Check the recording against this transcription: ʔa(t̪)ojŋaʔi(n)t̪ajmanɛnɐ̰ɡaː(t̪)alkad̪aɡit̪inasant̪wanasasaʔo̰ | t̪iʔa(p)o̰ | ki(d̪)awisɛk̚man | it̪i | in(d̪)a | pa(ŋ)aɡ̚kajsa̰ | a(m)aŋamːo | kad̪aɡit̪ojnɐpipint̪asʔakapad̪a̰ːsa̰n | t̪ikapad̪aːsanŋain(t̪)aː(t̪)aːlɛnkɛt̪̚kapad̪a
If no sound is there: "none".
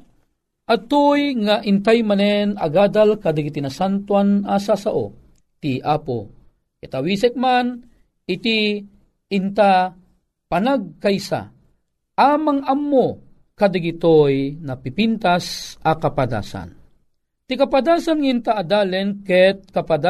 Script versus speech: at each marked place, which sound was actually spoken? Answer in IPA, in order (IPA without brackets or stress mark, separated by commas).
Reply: t̪, n, d̪, p, t̪, t̪, n, m, t̪, d̪